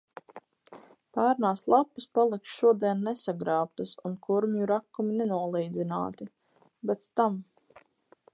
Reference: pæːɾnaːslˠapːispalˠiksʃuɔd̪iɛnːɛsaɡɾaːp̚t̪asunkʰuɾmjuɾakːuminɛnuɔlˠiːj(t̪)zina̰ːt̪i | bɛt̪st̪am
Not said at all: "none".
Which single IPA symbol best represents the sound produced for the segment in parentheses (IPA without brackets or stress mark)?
d̪